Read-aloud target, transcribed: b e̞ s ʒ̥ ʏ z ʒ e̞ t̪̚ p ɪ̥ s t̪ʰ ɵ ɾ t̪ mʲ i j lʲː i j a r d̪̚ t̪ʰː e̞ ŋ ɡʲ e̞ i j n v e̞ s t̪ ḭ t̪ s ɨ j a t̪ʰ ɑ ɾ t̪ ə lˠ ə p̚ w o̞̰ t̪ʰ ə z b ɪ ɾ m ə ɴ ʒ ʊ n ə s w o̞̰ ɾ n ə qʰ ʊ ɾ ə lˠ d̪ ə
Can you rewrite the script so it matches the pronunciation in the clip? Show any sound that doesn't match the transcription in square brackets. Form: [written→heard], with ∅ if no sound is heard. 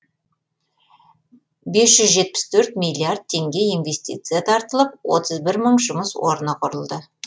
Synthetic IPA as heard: b e̞ s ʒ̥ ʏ z ʒ e̞ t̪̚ p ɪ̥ s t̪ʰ ɵ ɾ t̪ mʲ i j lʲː i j a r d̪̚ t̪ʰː e̞ ŋ ɡʲ e̞ i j n v e̞ s t̪ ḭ t̪ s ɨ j a t̪ʰ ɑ ɾ t̪ ə lˠ ə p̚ w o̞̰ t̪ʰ ə z b ɪ ɾ m ə ɴ ʒ ʊ [n→m] ə s w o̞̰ ɾ n ə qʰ ʊ ɾ ə lˠ d̪ ə